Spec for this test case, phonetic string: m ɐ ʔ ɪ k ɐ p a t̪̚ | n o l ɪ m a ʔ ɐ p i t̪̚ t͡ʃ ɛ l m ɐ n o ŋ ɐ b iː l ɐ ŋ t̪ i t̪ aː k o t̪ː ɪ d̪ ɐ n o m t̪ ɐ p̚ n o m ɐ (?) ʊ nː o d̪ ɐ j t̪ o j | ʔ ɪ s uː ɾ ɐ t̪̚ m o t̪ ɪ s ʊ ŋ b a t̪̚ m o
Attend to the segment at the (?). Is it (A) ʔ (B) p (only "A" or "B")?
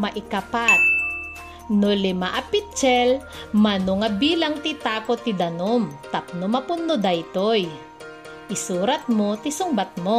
B